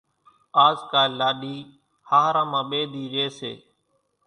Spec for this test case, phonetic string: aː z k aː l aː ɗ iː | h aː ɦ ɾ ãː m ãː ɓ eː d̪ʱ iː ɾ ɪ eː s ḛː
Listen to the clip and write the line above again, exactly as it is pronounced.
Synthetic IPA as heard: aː z k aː l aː ɗ iː | h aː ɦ ɾ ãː m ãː ɓ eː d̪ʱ iː ɾ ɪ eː s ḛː